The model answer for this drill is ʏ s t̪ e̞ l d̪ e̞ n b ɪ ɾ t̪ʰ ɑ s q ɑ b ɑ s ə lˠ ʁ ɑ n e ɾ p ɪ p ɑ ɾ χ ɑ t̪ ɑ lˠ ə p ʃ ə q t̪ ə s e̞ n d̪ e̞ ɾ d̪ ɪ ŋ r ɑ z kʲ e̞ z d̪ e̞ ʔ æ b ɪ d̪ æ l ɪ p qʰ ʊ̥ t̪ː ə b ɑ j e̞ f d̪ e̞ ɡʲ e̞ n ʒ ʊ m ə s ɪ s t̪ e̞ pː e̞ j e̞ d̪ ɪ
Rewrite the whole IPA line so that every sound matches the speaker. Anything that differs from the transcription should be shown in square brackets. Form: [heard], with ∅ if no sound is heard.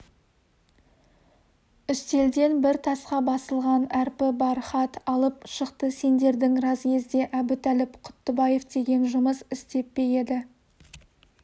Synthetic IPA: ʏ s t̪ e̞ l d̪ e̞ n b ɪ ɾ t̪ʰ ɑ s q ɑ b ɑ s ə lˠ ʁ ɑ n [æ] ɾ p ɪ [b] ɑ ɾ χ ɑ t̪ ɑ lˠ ə p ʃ ə q t̪ ə s e̞ n d̪ e̞ ɾ d̪ ɪ ŋ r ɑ z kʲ e̞ z d̪ e̞ ʔ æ b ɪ [t̪] æ l ɪ p qʰ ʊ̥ t̪ː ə b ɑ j e̞ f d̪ e̞ ɡʲ e̞ n ʒ ʊ m ə s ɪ s t̪ e̞ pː e̞ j e̞ d̪ ɪ